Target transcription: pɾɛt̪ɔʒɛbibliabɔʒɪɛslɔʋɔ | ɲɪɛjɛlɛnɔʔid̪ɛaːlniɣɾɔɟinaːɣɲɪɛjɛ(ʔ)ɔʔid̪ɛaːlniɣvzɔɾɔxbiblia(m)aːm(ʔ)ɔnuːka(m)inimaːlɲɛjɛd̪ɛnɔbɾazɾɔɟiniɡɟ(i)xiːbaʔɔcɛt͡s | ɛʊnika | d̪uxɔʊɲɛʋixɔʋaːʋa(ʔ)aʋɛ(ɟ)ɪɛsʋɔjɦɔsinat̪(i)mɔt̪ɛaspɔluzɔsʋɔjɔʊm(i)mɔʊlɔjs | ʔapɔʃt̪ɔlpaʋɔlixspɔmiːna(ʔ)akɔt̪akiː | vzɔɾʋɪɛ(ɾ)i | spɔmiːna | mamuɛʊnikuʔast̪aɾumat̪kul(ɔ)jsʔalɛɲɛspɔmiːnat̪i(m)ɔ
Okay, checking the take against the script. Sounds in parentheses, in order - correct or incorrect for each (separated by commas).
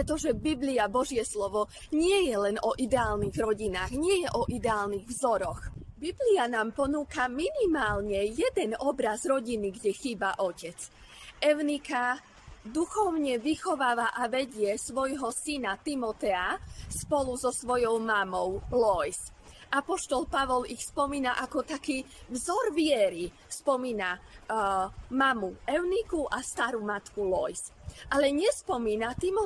correct, incorrect, incorrect, correct, incorrect, correct, correct, correct, incorrect, correct, correct, correct, correct